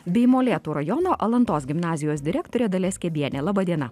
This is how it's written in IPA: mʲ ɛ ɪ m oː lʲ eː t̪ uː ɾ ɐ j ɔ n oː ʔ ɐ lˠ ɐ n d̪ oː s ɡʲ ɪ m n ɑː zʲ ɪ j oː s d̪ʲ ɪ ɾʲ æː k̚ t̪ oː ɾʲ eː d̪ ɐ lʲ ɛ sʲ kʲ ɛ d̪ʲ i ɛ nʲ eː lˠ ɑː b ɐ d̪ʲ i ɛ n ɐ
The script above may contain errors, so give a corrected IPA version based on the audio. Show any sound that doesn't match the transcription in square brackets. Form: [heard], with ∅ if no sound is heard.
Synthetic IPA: [bʲ] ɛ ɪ m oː lʲ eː t̪ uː ɾ ɐ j ɔ n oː ʔ ɐ lˠ ɐ n [t̪] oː s ɡʲ ɪ m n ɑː zʲ ɪ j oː s d̪ʲ ɪ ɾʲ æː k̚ t̪ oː ɾʲ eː d̪ ɐ lʲ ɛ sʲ kʲ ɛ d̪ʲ i ɛ nʲ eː lˠ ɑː b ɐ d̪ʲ i ɛ n ɐ